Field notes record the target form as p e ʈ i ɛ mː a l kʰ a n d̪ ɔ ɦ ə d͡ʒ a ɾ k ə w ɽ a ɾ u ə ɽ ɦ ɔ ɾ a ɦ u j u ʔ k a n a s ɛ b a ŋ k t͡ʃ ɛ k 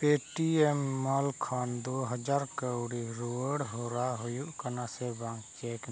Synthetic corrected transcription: p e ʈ i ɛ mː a l kʰ a n d̪ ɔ ɦ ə d͡ʒ a ɾ k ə w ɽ i ɾ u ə ɽ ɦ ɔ ɾ a ɦ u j u ʔ k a n a s ɛ b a ŋ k t͡ʃ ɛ k